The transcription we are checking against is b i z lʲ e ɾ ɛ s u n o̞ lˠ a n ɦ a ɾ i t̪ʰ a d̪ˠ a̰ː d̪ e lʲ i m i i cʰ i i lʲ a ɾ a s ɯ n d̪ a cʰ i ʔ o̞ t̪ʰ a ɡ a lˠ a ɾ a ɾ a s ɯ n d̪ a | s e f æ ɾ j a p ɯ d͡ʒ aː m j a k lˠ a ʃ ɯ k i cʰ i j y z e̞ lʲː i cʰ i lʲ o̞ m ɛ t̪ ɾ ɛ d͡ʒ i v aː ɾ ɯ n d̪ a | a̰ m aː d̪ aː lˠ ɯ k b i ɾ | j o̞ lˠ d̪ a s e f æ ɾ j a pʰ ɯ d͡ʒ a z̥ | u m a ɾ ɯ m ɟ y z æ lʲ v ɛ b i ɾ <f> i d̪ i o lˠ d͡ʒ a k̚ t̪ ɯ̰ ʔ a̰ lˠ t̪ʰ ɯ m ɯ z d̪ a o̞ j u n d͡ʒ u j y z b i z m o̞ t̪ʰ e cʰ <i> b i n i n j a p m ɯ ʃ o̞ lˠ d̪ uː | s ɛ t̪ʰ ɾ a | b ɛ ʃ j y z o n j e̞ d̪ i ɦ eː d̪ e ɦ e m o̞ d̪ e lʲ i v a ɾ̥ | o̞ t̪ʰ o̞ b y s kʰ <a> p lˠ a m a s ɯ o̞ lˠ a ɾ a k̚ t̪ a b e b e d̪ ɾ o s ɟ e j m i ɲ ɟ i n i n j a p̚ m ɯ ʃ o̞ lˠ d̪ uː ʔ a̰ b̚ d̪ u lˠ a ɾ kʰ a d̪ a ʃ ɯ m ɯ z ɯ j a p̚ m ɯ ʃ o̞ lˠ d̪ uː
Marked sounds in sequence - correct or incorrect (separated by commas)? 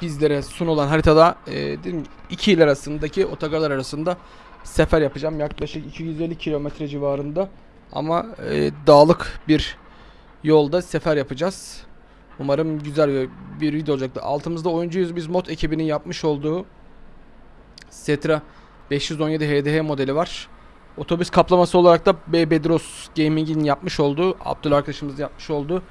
incorrect, correct, correct